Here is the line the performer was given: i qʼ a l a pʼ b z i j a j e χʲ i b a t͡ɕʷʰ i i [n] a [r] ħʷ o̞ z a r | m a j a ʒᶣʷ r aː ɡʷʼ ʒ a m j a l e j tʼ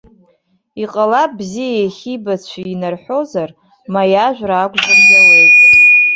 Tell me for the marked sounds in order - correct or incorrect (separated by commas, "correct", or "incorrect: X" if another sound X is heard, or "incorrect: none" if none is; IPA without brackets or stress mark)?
correct, correct